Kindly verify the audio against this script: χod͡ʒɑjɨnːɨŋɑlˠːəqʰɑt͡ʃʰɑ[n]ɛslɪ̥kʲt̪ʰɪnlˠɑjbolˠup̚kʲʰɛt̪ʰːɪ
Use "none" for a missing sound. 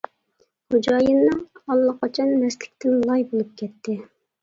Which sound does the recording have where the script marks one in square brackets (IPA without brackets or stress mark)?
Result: nː